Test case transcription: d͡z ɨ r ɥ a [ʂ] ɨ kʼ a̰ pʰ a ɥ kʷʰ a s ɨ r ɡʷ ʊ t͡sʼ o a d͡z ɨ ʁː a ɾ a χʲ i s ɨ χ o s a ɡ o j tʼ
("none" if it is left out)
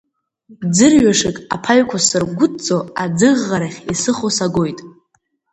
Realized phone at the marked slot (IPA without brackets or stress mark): ʂ